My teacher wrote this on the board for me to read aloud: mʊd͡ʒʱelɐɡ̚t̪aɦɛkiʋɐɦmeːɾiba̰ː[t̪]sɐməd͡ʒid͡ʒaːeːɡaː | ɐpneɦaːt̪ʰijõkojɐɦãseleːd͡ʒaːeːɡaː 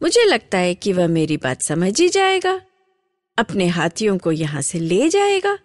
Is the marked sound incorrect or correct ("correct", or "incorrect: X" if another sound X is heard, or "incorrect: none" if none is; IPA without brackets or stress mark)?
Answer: correct